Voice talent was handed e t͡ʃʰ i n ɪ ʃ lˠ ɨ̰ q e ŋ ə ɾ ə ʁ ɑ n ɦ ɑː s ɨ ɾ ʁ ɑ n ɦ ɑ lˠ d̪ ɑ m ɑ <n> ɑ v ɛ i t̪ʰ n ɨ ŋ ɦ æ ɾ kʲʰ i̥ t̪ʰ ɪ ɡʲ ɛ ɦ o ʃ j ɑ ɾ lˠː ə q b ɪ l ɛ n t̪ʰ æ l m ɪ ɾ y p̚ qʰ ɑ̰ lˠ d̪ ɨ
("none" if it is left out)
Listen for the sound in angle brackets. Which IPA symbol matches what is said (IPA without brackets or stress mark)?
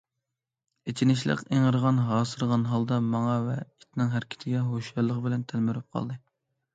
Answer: ŋ